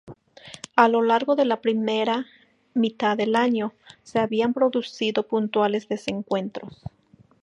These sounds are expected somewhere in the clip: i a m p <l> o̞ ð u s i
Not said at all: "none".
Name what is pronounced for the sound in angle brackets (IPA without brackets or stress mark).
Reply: ɾ